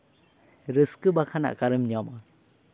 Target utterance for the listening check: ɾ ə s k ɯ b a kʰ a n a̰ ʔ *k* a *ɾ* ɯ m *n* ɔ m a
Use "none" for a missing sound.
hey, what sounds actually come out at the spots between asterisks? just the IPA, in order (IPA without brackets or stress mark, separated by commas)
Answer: k, ɾ, ɲ